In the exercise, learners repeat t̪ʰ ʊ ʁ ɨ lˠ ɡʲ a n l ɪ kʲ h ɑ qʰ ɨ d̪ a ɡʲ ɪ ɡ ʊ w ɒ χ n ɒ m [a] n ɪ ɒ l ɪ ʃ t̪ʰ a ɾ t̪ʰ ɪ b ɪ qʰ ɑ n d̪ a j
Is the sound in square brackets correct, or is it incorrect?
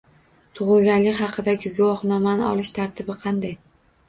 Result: correct